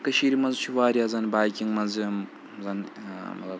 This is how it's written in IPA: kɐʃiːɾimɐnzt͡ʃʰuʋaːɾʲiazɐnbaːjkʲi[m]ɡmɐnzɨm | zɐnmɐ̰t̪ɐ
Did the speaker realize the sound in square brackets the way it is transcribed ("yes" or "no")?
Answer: no